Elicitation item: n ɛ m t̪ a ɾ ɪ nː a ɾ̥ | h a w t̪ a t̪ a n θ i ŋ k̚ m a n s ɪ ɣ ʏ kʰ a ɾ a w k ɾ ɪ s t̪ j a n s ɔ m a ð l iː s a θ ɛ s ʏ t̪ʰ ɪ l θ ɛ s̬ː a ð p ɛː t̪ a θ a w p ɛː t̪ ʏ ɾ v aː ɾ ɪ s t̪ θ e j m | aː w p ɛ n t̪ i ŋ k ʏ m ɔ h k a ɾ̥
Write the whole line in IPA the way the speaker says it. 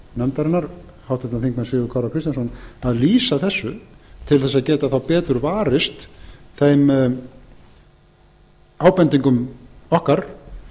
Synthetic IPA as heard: n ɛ m t̪ a ɾ ɪ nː a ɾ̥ | h a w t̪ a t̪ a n θ i ŋ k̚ m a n s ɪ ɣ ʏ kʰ a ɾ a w k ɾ ɪ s t̪ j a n s ɔ n a ð l iː s a θ ɛ sː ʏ t̪ʰ ɪ l θ ɛ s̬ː a ð c ɛː t̪ a θ a w p ɛː t̪ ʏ ɾ v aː ɾ ɪ s t̪ θ e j m | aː w p ɛ n t̪ i ŋ k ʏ m ɔ h k a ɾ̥